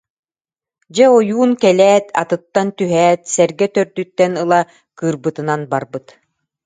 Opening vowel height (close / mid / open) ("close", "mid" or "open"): mid